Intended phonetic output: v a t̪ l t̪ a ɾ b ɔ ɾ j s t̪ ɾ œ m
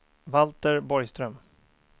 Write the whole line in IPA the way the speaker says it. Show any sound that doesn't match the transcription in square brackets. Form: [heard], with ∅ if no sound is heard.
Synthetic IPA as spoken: v a [∅] l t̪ [ə] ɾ b ɔ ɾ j s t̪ ɾ œ m